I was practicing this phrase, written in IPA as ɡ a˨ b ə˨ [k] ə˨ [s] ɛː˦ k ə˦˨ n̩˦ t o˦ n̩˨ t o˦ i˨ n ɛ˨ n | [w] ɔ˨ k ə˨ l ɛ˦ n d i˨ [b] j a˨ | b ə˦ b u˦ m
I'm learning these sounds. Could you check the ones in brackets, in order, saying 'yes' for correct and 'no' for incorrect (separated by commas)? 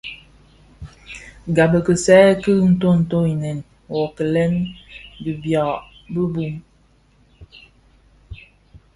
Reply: yes, yes, yes, yes